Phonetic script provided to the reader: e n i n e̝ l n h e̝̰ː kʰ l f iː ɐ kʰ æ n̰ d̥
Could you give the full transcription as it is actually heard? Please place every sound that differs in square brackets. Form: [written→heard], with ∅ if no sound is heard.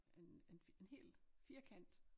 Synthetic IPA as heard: e n [i→e] n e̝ [l→∅] n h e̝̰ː [kʰ→∅] l f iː ɐ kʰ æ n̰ d̥